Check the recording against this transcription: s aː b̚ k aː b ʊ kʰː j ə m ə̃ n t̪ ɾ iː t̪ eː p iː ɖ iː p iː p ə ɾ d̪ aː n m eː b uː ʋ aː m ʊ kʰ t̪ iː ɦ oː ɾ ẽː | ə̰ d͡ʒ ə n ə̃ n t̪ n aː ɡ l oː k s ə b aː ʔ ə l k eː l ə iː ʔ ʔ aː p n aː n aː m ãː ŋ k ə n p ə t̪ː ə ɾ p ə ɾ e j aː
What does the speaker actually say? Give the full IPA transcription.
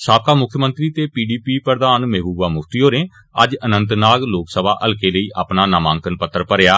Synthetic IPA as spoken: s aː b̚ k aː m ʊ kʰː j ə m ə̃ n t̪ ɾ iː t̪ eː p iː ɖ iː p iː p ə ɾ d̪ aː n m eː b uː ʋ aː m ʊ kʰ t̪ iː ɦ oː ɾ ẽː | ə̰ d͡ʒ ə n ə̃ n t̪ n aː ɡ l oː k s ə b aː ʔ ə l k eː l ə iː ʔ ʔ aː p n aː n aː m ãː ŋ k ə n p ə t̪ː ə ɾ p ə ɾ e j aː